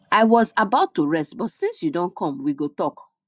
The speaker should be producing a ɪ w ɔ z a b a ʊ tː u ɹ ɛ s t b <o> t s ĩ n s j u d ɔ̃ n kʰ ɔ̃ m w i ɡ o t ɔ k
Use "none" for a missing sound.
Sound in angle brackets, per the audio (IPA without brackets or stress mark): ɔ